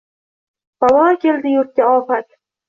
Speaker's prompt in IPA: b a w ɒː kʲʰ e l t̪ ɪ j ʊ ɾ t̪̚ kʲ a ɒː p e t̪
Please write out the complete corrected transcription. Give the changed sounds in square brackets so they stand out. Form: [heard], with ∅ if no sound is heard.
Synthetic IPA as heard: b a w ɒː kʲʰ e l [d̪] ɪ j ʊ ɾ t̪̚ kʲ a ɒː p [a] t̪